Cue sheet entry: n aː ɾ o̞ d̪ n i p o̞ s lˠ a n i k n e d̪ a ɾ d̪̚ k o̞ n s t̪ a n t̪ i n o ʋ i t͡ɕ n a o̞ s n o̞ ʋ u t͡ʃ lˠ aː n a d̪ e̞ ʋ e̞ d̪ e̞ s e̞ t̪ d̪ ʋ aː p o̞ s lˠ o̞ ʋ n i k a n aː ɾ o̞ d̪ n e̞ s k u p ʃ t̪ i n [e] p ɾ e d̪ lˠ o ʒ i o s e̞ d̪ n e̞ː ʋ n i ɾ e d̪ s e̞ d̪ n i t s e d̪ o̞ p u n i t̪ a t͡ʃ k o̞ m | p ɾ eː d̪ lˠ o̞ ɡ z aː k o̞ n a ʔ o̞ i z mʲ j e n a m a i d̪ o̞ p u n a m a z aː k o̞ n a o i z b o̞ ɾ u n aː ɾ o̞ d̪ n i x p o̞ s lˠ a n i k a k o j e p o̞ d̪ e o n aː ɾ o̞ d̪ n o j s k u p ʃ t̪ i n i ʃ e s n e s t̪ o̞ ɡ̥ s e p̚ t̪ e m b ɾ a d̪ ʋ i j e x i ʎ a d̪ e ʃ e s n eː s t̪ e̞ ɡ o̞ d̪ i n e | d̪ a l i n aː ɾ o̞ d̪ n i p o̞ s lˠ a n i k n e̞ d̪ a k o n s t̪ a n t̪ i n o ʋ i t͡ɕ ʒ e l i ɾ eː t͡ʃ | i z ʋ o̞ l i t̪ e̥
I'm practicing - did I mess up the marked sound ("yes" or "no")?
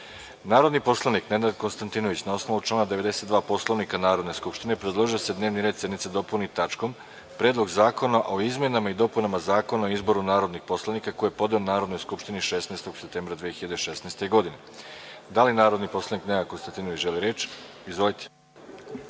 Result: no